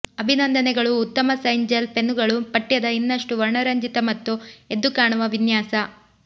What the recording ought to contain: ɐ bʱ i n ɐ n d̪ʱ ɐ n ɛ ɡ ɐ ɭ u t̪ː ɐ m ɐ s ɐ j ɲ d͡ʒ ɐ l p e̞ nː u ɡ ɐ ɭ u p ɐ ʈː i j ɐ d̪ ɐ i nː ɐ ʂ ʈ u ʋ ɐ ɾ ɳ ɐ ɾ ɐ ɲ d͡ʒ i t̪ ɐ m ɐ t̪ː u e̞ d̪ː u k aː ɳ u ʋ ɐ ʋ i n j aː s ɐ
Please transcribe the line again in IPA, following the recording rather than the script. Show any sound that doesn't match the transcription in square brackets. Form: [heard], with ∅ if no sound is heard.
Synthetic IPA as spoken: ɐ bʱ i n ɐ n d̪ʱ ɐ n ɛ ɡ ɐ ɭ [uː] t̪ː ɐ m ɐ s ɐ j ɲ d͡ʒ ɐ l p e̞ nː u ɡ ɐ ɭ u p ɐ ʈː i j ɐ d̪ ɐ i nː ɐ ʂ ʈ u ʋ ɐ ɾ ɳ ɐ ɾ ɐ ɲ d͡ʒ i t̪ ɐ m ɐ t̪ː u e̞ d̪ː u k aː ɳ u ʋ ɐ ʋ i n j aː s ɐ